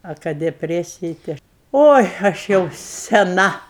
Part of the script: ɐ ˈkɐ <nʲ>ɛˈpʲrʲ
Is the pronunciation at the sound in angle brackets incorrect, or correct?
incorrect